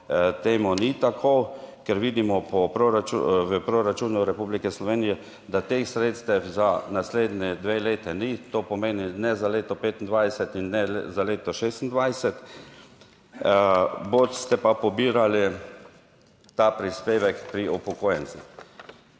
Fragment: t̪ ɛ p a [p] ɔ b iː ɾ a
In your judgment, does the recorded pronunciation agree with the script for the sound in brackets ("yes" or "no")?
yes